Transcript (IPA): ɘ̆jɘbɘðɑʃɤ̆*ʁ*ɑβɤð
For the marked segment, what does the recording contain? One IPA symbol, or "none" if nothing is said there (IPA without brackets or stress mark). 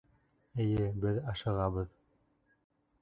ʁ